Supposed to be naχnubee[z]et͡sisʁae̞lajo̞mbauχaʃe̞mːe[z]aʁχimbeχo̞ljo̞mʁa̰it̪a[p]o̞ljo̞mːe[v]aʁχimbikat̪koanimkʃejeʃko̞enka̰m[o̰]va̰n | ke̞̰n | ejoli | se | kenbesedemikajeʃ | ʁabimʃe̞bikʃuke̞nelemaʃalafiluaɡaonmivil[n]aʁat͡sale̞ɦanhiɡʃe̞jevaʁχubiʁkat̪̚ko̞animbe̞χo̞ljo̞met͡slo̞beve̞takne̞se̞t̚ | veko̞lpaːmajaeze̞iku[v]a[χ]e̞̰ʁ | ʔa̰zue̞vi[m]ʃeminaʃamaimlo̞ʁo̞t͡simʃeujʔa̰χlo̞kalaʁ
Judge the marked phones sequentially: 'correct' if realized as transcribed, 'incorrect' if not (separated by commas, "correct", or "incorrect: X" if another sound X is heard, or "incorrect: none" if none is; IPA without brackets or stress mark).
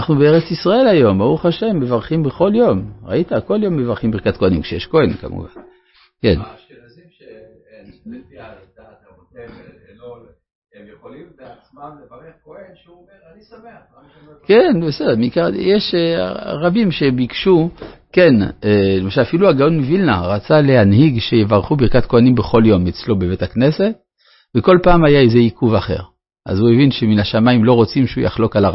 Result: incorrect: ʁ, incorrect: v, incorrect: k, correct, incorrect: ṵ, correct, correct, correct, incorrect: n